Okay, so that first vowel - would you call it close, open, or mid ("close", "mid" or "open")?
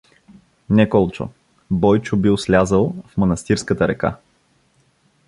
mid